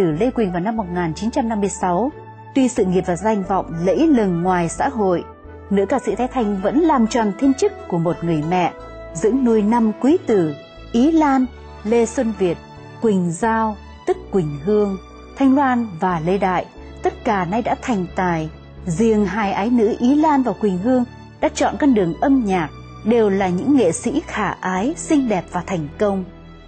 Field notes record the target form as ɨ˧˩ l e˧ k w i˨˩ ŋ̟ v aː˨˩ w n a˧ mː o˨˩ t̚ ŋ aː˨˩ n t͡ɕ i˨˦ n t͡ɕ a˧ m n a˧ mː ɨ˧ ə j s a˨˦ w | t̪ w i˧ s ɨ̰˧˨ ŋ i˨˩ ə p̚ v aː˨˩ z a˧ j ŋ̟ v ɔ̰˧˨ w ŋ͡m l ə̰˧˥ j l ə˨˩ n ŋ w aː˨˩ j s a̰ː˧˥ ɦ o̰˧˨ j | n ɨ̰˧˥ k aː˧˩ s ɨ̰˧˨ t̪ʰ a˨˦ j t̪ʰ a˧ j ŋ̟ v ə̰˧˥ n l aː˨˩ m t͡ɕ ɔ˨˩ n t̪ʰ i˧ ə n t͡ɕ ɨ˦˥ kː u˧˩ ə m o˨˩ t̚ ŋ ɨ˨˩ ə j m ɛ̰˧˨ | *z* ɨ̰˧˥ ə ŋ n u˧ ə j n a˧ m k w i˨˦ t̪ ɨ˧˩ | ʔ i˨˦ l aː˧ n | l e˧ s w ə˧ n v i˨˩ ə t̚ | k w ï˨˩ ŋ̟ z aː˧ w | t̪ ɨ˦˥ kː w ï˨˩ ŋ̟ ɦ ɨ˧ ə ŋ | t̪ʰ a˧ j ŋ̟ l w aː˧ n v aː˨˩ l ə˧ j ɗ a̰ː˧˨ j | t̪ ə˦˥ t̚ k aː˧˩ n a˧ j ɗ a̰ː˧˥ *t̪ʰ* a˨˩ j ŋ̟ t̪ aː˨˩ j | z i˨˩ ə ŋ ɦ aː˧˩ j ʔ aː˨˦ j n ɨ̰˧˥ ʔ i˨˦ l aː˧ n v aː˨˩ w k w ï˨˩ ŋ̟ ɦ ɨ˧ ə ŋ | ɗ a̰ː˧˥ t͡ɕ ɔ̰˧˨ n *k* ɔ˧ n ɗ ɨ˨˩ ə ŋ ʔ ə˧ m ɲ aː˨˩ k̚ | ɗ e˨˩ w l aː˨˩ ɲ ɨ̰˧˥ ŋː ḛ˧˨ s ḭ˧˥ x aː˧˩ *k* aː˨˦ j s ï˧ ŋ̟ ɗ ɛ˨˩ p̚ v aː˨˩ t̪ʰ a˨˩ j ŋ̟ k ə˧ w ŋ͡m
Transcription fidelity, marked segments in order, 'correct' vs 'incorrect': correct, correct, correct, incorrect: ʔ

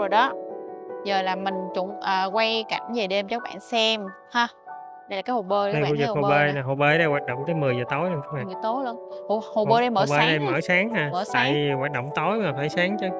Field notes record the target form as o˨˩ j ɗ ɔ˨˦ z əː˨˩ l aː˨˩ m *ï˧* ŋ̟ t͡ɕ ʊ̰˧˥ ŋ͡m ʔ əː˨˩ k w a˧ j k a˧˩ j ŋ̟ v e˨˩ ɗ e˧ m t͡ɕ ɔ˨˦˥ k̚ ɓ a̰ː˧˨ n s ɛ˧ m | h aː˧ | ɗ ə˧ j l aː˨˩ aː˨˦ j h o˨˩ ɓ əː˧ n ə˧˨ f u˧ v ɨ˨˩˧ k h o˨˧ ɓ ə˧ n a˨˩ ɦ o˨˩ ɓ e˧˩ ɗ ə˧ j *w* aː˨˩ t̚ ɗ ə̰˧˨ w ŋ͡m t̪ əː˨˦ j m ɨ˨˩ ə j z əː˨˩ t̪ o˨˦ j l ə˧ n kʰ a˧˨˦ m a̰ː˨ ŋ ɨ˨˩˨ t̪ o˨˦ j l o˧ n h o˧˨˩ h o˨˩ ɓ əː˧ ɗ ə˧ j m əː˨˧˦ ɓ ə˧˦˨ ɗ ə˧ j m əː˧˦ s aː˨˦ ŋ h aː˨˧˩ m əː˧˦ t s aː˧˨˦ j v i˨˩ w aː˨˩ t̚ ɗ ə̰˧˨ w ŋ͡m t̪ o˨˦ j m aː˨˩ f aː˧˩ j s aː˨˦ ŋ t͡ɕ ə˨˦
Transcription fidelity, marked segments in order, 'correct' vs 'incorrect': incorrect: ï˨˩, correct

